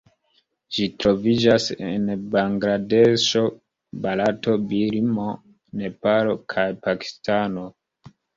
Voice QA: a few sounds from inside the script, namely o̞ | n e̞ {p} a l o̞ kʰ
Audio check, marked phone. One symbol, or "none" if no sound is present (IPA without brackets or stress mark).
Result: p